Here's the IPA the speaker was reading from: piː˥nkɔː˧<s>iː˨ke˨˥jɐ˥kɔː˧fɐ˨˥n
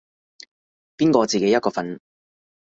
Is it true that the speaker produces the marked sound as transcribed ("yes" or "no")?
no